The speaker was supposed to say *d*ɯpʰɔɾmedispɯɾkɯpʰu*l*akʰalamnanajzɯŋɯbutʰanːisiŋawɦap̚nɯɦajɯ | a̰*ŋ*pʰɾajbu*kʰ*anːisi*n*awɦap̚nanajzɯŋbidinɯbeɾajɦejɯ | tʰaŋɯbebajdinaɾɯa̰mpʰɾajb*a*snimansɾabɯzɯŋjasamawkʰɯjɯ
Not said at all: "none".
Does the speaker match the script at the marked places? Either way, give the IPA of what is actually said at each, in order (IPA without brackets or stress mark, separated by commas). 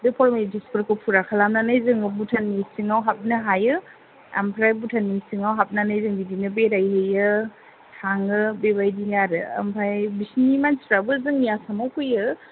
d, ɾ, m, tʰ, ŋ, i